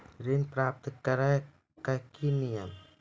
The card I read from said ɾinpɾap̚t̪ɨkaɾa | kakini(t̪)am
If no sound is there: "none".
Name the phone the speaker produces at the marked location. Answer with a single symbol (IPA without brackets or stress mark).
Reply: none